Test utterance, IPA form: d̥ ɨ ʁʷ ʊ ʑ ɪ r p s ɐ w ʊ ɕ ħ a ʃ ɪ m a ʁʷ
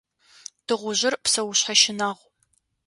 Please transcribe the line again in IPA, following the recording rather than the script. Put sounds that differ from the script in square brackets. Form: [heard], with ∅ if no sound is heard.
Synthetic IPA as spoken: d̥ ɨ ʁʷ ʊ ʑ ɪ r p s ɐ w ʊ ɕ ħ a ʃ ɪ [n] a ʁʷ